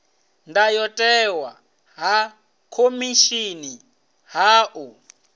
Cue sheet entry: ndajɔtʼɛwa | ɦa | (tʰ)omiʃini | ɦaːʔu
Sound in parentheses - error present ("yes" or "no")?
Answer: yes